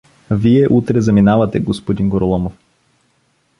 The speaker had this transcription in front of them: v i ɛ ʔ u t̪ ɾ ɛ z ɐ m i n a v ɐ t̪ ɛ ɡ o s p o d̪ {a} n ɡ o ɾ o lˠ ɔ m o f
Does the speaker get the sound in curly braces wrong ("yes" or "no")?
yes